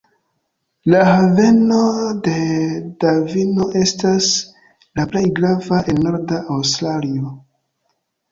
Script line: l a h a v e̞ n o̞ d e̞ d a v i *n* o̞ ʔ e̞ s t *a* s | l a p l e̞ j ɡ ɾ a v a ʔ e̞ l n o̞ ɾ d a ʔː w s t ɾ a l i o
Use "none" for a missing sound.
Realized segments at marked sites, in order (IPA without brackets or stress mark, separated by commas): n, a